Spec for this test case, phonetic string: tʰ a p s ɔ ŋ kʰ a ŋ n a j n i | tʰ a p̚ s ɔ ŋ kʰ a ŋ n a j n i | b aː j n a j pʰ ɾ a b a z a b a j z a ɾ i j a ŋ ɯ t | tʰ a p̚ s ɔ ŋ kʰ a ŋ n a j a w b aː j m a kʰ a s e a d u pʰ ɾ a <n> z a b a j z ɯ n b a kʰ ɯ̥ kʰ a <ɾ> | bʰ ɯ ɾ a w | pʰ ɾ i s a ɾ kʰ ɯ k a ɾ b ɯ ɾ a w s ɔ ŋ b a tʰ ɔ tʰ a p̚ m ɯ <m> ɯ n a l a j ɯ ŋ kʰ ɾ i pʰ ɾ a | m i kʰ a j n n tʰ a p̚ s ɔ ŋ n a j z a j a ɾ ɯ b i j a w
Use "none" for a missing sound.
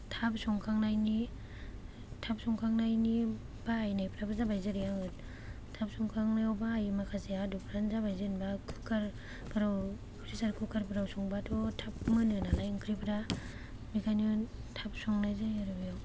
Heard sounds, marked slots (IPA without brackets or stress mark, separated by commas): n, ɾ, n